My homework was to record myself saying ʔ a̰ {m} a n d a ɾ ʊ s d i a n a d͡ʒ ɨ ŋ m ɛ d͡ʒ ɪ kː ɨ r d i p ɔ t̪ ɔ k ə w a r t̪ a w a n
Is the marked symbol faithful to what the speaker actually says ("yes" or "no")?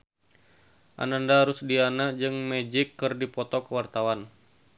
no